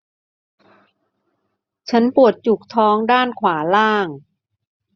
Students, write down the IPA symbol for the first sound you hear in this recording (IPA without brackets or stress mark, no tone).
t͡ɕʰ